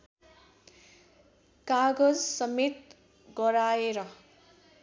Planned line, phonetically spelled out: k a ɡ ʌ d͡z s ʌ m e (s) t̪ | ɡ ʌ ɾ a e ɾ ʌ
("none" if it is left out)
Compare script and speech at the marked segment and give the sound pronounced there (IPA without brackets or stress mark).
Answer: none